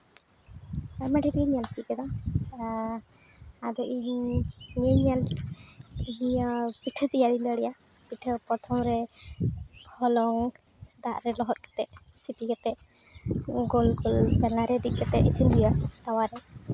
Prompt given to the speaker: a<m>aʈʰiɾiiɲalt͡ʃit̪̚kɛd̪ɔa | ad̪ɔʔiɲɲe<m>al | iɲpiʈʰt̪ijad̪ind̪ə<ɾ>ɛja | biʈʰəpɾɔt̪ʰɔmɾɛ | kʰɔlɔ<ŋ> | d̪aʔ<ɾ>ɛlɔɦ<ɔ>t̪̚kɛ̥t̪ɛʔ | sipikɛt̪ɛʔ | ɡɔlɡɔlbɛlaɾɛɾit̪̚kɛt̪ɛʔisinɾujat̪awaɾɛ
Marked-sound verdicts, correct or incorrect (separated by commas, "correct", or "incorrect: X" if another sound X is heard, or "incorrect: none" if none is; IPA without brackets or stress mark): correct, incorrect: ɲ, incorrect: ɽ, correct, correct, correct